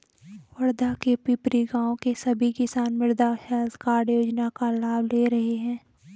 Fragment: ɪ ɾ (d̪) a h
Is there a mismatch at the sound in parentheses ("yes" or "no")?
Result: no